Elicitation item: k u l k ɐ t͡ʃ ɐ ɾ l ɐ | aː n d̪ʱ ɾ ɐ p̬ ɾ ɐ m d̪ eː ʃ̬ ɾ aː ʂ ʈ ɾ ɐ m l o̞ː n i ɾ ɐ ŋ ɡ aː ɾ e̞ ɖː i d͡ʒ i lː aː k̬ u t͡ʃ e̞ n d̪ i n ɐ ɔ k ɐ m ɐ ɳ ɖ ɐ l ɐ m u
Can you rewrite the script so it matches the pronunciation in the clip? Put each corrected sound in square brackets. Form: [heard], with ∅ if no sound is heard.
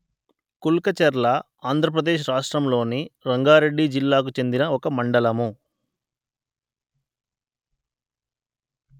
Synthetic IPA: k u l k ɐ t͡ʃ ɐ ɾ l ɐ | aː n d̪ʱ ɾ ɐ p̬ ɾ ɐ [∅] d̪ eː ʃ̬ ɾ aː ʂ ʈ ɾ ɐ m l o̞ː n i ɾ ɐ ŋ ɡ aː ɾ e̞ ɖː i d͡ʒ i lː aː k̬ u t͡ʃ e̞ n d̪ i n ɐ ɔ k ɐ m ɐ ɳ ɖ ɐ l ɐ m u